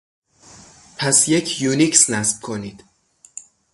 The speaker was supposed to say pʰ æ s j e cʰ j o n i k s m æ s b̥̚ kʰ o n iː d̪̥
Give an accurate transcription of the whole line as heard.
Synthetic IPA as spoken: pʰ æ s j e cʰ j u n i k s n æ s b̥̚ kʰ o n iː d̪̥

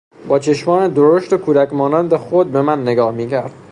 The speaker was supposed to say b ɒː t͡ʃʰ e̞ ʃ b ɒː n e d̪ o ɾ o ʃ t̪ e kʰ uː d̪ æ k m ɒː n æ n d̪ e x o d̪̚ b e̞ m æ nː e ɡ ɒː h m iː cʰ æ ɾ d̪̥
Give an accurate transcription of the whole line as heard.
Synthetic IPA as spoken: b ɒː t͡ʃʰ e̞ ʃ m ɒː n e d̪ o ɾ o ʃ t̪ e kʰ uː d̪ æ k m ɒː n æ n d̪ e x o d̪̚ b e̞ m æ nː e ɡ ɒː h m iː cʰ æ ɾ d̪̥

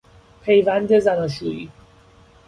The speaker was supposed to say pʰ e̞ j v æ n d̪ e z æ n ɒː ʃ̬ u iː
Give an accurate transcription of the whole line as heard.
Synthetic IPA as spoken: pʰ e̞ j v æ n d̪ e z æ n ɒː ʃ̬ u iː

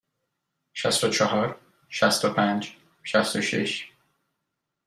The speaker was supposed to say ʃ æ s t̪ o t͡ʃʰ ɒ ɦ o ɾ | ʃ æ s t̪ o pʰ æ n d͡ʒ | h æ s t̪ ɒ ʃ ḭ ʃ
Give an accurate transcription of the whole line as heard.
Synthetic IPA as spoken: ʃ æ s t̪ o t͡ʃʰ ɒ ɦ ɒ ɾ | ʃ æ s t̪ o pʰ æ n d͡ʒ | ʃ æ s t̪ o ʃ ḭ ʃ

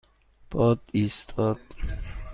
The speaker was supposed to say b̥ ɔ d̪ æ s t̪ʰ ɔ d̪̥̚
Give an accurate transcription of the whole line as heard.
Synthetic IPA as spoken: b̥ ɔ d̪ i s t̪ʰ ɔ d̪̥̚

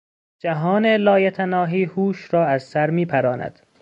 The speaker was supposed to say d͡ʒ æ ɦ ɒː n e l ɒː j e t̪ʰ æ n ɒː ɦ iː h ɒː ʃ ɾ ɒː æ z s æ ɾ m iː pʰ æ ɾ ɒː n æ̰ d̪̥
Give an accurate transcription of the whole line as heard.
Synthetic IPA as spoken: d͡ʒ æ ɦ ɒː n e l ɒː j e t̪ʰ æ n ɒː ɦ iː h uː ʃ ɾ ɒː æ z s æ ɾ m iː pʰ æ ɾ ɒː n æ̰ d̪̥

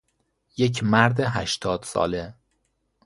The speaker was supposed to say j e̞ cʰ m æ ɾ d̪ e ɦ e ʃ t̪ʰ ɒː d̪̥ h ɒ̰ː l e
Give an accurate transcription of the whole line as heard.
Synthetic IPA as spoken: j e̞ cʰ m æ ɾ d̪ e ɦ æ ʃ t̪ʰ ɒː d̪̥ s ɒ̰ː l e

